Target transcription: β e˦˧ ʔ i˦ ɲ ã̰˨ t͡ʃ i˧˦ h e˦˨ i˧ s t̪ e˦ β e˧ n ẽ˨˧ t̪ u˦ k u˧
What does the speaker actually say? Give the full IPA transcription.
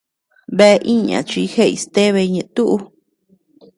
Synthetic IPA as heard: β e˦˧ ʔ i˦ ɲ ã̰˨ t͡ʃ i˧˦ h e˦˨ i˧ s t̪ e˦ β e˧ ɲ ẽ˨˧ t̪ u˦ ʔ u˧